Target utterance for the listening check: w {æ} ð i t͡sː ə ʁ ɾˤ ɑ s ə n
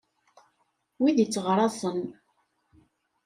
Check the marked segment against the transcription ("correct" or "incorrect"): incorrect